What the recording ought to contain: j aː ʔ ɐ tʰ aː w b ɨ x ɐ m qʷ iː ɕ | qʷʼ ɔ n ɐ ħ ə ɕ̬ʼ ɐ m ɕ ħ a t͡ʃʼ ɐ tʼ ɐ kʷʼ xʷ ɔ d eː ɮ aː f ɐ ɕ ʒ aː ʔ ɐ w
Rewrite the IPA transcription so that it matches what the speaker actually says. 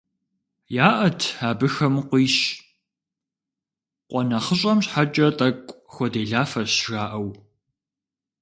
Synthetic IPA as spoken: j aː ʔ ɐ tʰ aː b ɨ x ɐ m qʷ iː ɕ | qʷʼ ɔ n ɐ χ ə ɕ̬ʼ ɐ m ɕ ħ a t͡ʃʼ ɐ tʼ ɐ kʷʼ xʷ ɔ d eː ɮ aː f ɐ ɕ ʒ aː ʔ ɐ w